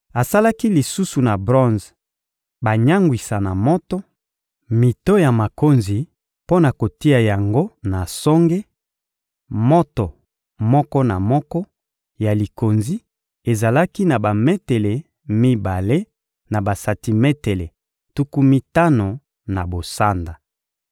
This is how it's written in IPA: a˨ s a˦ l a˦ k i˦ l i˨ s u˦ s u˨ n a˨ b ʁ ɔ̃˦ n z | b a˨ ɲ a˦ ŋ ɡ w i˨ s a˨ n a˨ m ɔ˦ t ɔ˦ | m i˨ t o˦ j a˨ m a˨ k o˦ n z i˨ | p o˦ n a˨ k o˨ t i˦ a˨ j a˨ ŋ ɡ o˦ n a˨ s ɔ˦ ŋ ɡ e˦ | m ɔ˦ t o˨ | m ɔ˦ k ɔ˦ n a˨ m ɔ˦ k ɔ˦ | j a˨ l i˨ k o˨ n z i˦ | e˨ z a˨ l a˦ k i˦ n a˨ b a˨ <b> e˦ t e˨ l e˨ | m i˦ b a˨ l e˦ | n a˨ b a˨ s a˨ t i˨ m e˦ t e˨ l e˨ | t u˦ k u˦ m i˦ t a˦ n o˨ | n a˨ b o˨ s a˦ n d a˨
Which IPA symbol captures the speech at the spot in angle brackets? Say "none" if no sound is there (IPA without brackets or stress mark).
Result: m